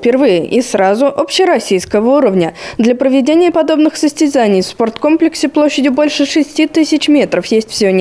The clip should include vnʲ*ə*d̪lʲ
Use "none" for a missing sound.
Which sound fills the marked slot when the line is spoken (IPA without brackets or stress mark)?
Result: ə